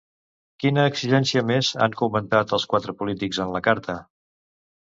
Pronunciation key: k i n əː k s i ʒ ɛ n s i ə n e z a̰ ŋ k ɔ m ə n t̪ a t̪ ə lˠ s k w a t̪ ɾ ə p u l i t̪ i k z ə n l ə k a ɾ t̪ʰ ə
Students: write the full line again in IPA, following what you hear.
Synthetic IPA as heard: k i n əː k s i ʒ ɛ n s i ə m e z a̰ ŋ k u m ə n t̪ a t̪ ə lˠ s k w a t̪ ɾ ə p u l i t̪ i k z ə n l ə k a ɾ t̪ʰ ə

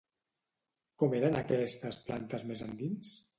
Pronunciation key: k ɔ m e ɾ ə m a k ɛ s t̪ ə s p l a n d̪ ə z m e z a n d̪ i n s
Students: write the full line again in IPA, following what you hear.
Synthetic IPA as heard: k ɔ m e ɾ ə n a k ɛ s t̪ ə s p l a n t̪ ə z m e z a n d̪ i n s

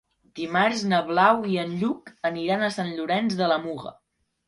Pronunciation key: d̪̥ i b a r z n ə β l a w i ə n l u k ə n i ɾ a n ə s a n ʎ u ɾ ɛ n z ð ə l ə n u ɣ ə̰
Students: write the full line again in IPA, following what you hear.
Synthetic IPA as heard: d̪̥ i m a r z n ə β l a w i ə n ʎ u k ə n i ɾ a n ə s a n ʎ u ɾ ɛ n z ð ə l ə m u ɣ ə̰

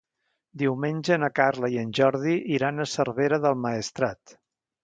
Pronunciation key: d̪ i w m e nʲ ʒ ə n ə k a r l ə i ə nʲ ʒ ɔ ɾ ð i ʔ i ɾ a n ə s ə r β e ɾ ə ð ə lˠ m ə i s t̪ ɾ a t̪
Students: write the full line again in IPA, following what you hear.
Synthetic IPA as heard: d̪ i w m e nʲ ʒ ə n ə k a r l ə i ə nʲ ʒ ɔ ɾ ð i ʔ i ɾ a n ə s ə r β e ɾ ə ð ə lˠ m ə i s t̪ ɾ a t̪

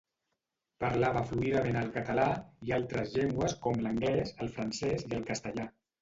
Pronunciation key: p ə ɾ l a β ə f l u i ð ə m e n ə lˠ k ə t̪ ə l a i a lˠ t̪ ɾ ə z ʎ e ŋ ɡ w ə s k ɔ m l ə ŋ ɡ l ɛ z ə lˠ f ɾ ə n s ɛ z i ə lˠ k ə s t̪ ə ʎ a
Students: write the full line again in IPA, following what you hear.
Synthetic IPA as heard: p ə ɾ l a β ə f l u i ð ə m e n ə lˠ k ə t̪ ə l a i a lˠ t̪ ɾ ə z ʎ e ŋ ɡ w ə s k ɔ m l ə ŋ ɡ l ɛ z ə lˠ f ɾ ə n s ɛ z i ə lˠ k ə s t̪ ə ʎ a

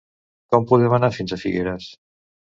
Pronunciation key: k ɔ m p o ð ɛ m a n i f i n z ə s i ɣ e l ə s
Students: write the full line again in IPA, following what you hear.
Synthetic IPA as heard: k ɔ m p u ð ɛ m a n a f i n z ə f i ɣ e ɾ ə s

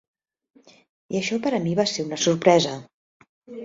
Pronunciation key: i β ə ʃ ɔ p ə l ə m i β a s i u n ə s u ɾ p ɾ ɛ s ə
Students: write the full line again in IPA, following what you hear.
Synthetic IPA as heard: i ə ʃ ɔ p ə ɾ ə m i β a s e u n ə s u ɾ p ɾ ɛ z ə

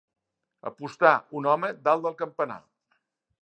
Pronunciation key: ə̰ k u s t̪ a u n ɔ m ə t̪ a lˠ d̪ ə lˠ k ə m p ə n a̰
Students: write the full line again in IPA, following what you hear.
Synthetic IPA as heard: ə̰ p u s t̪ a u n ɔ m ə d̪ a lˠ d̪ ə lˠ k ə m p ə n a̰

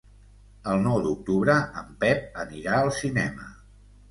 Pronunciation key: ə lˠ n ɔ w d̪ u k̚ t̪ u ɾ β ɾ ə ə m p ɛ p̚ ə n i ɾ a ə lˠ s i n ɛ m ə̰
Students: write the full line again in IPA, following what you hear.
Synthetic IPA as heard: ə lˠ n ɔ w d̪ u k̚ t̪ u β ɾ ə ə m p ɛ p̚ ə n i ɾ a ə lˠ s i n ɛ m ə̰

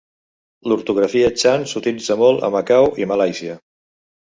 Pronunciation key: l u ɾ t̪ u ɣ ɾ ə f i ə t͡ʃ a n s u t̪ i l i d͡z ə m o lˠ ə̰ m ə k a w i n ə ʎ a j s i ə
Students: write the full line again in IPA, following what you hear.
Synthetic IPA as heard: l u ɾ t̪ u ɣ ɾ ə f i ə t͡ʃ a n s u t̪ i l i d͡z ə m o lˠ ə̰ m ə k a w i m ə l a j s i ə

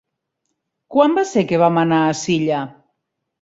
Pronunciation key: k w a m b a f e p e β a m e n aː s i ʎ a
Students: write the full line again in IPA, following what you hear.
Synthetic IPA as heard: k w a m b a s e k e β a m a n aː s i ʎ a

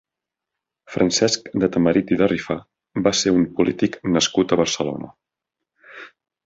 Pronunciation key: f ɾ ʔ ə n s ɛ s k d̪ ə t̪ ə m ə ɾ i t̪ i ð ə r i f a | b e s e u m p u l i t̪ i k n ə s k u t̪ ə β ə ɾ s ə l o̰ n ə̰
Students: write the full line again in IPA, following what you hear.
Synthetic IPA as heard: f ɾ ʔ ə n s ɛ s k d̪ ə t̪ ə m ə ɾ i t̪ i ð ə r i f a | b a s e u m p u l i t̪ i k n ə s k u t̪ ə β ə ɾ s ə l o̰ n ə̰

